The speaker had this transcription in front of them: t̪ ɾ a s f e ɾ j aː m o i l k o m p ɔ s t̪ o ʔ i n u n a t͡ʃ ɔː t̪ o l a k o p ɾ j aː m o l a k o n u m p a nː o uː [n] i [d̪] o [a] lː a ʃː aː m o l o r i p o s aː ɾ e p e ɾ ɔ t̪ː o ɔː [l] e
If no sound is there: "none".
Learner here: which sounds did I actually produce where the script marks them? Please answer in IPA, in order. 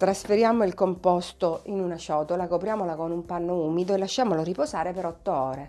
m, d̪, e, ɾ

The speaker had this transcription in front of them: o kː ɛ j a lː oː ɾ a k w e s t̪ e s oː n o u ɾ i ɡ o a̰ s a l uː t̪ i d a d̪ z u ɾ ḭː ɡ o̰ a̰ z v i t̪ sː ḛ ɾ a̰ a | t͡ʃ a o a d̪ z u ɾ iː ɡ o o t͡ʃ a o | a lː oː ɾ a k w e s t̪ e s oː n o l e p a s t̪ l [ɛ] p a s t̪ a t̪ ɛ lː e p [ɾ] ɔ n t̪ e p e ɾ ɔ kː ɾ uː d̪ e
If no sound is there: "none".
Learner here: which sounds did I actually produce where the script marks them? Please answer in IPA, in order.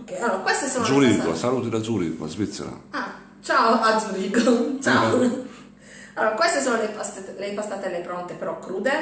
e, ɾ

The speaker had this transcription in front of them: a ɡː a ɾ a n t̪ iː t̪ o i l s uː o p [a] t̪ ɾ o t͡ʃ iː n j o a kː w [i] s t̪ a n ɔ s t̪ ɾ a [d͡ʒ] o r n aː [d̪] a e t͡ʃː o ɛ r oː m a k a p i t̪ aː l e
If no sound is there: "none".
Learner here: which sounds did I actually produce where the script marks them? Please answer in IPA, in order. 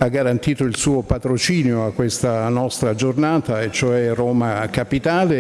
a, e, d͡ʒ, t̪

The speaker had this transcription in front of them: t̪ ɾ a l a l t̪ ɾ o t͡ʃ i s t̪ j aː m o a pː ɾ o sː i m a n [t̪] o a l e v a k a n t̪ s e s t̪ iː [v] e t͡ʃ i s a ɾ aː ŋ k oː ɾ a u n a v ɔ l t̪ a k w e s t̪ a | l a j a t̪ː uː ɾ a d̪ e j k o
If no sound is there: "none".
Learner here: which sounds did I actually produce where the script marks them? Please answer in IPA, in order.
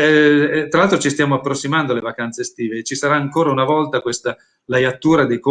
d̪, v

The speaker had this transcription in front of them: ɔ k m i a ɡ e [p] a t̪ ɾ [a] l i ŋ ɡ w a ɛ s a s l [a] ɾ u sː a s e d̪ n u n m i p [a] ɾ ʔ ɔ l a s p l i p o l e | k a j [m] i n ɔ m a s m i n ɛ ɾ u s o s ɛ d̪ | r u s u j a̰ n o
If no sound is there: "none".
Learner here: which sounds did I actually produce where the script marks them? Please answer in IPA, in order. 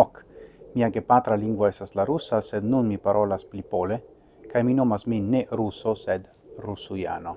p, a, a, a, m

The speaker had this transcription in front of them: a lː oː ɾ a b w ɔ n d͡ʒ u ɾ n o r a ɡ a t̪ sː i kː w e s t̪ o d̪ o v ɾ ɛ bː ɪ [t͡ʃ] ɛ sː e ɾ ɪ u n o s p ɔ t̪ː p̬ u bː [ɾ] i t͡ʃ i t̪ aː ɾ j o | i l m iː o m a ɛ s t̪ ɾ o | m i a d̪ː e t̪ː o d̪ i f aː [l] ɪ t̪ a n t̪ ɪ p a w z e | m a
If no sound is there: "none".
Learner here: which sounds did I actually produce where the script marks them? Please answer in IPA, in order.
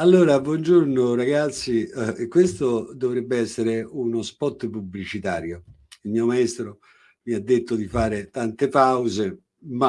none, l, ɾ

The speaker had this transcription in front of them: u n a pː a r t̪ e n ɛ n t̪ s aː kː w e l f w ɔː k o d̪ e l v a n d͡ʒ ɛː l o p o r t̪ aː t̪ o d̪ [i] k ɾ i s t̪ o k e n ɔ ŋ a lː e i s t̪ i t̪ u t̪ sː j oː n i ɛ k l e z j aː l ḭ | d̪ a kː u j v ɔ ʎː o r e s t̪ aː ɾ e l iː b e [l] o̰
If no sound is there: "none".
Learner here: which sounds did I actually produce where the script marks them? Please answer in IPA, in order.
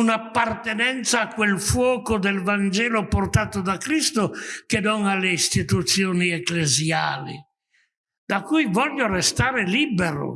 a, ɾ

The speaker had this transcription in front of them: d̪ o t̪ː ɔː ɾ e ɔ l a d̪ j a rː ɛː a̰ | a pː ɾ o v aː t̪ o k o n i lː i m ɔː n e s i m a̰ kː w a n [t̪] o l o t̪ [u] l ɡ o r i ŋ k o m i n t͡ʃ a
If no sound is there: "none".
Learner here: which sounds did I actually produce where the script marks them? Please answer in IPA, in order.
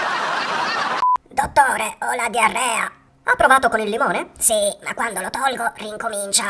d̪, ɔ

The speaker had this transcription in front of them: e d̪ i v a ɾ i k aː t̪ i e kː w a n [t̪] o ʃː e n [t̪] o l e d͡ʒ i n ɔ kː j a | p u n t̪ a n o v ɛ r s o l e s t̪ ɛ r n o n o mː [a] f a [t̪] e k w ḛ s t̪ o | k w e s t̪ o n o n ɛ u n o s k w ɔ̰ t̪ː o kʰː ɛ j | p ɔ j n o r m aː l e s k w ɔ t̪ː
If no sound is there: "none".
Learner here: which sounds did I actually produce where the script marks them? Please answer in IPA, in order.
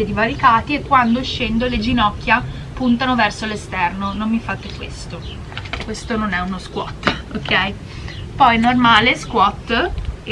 d̪, d̪, i, t̪

